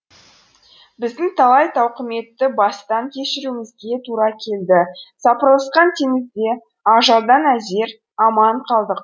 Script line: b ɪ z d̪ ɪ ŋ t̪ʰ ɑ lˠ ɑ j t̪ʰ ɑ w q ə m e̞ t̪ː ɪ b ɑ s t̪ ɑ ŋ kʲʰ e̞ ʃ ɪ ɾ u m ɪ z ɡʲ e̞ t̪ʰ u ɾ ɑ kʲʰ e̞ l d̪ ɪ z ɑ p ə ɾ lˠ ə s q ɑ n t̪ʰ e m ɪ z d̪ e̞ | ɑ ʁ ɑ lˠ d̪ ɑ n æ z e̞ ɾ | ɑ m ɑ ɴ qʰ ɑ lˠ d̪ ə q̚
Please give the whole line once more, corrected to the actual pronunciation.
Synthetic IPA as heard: b ɪ z d̪ ɪ ŋ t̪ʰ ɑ lˠ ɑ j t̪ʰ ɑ w q ə m e̞ t̪ː ɪ b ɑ s t̪ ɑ ŋ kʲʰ e̞ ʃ ɪ ɾ u m ɪ z ɡʲ e̞ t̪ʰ u ɾ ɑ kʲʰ e̞ l d̪ ɪ s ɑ p ə ɾ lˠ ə s q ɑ n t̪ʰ e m ɪ z d̪ e̞ | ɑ ʒ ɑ lˠ d̪ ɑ n æ z e̞ ɾ | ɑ m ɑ ɴ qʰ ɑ lˠ d̪ ə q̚